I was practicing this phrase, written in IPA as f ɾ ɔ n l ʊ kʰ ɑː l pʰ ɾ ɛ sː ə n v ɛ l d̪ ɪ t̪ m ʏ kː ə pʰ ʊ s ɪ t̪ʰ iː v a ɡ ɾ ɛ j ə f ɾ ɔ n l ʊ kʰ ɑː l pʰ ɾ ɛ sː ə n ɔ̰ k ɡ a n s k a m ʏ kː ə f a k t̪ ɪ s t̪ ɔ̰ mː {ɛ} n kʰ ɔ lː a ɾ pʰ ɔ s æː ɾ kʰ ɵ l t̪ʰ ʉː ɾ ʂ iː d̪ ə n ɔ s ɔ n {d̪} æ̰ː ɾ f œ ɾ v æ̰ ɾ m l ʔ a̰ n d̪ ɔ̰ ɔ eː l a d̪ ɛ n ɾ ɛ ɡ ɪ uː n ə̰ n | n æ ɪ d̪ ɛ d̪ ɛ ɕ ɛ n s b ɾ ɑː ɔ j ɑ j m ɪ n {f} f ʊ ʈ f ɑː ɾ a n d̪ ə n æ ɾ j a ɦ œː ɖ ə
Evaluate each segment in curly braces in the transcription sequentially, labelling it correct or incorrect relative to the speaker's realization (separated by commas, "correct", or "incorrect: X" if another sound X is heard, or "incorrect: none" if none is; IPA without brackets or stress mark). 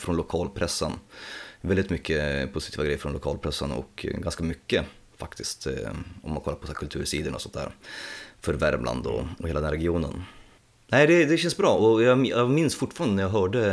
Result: incorrect: a, incorrect: t̪, incorrect: s